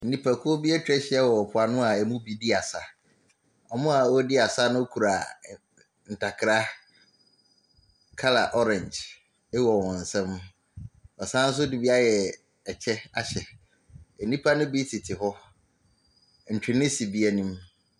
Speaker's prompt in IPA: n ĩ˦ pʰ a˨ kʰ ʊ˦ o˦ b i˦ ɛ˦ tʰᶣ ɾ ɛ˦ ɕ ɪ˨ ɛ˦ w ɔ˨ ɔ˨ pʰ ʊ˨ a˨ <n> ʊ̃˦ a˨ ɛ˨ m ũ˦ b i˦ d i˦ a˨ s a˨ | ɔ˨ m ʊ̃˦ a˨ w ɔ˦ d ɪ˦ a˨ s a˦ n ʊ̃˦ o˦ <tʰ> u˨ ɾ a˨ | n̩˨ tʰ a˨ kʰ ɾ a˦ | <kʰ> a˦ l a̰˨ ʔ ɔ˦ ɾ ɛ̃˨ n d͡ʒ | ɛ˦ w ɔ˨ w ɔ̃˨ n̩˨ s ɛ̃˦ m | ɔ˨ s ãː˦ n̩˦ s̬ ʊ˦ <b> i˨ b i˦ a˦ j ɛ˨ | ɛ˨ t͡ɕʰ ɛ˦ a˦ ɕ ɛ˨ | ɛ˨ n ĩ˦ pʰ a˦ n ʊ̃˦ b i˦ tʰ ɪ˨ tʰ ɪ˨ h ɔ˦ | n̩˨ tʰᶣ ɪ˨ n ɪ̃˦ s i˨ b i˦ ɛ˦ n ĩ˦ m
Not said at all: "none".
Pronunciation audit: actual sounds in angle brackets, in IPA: n, kʰ, kʰ, d

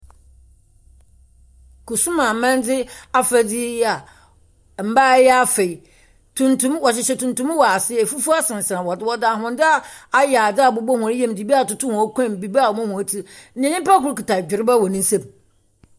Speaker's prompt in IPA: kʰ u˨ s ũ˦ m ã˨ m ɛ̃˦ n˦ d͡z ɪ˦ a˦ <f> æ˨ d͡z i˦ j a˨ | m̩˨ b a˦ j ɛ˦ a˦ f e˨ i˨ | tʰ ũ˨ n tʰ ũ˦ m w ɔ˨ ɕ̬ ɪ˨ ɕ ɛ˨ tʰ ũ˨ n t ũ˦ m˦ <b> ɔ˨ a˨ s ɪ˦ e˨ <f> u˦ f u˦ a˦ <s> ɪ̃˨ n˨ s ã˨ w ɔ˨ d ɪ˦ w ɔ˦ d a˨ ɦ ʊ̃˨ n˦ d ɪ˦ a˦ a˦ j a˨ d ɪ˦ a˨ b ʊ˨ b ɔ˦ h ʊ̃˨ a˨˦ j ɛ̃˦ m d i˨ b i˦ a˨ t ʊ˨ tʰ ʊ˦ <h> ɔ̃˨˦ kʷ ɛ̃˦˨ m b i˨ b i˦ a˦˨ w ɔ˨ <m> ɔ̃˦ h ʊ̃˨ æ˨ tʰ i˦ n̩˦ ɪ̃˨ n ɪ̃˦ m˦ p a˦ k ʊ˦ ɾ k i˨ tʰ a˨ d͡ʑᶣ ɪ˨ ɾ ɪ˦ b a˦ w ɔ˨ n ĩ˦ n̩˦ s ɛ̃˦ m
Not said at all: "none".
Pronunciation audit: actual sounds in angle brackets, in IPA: f, w, f, s, h, m

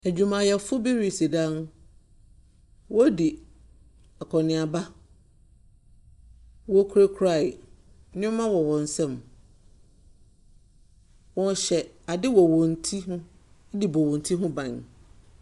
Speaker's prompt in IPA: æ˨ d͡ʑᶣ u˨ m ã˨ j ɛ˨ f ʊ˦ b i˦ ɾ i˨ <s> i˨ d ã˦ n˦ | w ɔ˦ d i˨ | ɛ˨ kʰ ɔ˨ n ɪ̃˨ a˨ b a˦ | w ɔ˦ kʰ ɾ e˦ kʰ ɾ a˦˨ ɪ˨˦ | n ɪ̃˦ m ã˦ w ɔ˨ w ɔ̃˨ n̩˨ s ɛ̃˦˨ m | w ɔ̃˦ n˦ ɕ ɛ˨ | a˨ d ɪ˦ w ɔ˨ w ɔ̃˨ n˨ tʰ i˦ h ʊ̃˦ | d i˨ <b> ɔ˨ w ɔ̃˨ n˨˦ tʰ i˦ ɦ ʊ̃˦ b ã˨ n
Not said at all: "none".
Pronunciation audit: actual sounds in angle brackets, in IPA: s, b

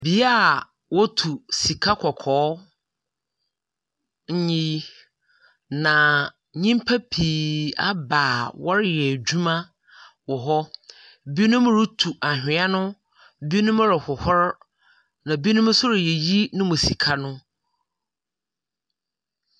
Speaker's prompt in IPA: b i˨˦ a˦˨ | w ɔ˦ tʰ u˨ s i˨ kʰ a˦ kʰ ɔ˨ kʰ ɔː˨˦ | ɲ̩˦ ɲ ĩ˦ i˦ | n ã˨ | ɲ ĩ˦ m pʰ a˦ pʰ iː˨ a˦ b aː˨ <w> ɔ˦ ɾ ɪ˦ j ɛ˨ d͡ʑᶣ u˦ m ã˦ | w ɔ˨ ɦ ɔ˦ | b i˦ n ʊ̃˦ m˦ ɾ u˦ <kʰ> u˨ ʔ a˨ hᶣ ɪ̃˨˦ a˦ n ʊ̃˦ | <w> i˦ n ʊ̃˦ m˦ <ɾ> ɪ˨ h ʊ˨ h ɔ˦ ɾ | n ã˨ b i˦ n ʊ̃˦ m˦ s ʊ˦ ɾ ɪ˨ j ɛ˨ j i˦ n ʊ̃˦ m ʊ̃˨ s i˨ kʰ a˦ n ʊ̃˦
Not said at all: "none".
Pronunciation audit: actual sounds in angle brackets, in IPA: w, tʰ, b, ɾ

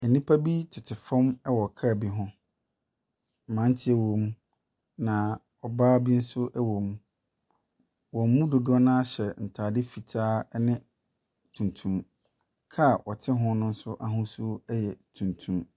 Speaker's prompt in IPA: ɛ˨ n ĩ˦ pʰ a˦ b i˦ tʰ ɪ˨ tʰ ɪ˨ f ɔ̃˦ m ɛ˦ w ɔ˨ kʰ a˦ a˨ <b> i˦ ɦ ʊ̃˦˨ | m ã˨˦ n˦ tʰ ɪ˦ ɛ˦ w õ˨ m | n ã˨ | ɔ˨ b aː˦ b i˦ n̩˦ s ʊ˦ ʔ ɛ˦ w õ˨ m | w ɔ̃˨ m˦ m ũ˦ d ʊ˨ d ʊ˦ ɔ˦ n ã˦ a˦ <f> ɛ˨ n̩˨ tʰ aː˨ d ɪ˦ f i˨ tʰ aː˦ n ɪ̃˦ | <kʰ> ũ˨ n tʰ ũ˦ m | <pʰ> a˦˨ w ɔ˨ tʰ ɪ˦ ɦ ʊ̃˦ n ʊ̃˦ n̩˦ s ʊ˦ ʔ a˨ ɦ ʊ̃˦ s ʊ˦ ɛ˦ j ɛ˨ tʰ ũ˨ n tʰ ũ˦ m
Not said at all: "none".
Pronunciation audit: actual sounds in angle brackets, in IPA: b, ɕ, tʰ, kʰ

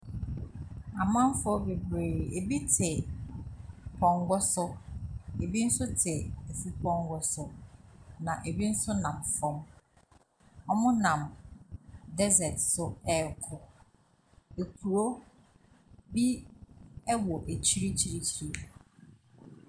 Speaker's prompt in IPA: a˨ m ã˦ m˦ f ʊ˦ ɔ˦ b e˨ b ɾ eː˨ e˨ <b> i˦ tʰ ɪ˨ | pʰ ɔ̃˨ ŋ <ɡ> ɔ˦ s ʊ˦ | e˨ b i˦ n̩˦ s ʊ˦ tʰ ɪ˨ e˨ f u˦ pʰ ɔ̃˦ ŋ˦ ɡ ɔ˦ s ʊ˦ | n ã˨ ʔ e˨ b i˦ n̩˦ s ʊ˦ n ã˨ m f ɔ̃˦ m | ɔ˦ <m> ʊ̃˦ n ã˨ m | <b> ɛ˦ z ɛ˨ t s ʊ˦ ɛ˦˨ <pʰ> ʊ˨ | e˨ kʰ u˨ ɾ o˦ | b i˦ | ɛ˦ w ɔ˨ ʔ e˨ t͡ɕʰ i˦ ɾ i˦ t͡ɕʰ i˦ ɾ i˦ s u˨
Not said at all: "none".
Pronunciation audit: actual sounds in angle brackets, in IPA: b, ɡ, m, d, kʰ

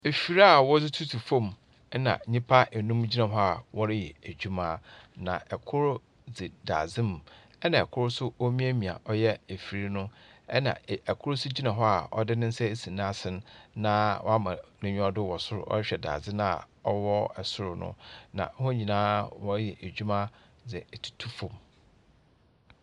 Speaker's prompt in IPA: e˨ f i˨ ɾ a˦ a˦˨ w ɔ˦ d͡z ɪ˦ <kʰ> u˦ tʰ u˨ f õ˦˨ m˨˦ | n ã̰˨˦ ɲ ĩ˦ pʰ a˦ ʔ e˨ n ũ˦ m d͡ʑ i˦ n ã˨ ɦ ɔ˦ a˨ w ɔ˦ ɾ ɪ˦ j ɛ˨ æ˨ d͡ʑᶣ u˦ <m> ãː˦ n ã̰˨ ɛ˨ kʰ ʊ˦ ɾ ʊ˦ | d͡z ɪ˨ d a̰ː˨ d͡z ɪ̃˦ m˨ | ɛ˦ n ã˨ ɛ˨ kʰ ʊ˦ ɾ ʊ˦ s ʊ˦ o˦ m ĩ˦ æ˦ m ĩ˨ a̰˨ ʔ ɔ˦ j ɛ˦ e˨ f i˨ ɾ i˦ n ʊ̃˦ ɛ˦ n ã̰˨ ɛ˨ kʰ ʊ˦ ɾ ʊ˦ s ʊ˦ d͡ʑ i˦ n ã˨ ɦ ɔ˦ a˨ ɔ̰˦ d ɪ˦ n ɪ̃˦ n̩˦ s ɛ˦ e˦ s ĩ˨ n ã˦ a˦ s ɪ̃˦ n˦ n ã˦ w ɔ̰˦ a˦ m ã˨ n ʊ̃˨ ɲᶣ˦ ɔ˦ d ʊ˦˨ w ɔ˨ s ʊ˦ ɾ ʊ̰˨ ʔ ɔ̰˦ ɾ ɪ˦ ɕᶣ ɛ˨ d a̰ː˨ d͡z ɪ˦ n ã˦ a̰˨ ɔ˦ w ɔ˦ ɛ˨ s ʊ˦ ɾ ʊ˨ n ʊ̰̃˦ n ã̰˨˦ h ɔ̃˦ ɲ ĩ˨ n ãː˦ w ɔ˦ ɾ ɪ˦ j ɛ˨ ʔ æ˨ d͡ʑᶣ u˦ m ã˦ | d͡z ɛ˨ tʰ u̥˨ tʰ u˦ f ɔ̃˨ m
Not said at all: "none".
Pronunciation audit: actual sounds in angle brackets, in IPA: tʰ, m

